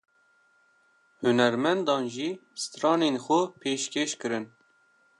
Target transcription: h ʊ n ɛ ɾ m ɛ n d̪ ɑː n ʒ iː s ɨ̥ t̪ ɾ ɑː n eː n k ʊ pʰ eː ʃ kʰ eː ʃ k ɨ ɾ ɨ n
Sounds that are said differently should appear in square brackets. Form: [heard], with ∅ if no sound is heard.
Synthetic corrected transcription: h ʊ n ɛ ɾ m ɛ n d̪ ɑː n ʒ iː s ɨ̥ t̪ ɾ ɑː n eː n [x] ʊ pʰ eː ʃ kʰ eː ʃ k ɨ ɾ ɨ n